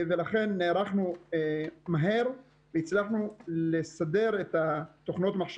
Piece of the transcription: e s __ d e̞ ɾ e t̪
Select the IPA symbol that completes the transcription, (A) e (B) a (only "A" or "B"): B